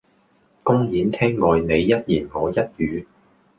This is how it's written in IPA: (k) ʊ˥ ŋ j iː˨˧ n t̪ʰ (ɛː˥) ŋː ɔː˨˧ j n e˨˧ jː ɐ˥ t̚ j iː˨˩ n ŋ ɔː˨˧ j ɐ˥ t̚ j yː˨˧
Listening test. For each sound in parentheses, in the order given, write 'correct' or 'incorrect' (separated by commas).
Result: correct, correct